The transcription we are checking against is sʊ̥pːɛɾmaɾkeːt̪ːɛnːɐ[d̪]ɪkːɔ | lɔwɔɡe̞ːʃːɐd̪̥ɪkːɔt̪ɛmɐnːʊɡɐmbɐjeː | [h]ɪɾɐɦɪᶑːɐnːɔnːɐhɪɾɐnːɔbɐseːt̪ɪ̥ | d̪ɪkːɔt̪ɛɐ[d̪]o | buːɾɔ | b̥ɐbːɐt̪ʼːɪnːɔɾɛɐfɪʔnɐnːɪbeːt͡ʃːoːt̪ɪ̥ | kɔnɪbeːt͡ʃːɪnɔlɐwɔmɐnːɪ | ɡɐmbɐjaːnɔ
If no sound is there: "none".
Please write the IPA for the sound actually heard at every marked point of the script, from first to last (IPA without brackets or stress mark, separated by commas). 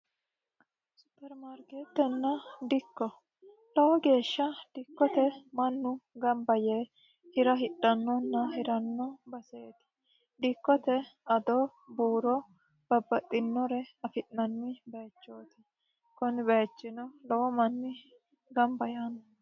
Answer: d̪, h, d̪